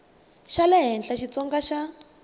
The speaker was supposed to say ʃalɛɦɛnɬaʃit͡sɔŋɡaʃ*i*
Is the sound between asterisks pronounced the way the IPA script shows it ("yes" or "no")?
no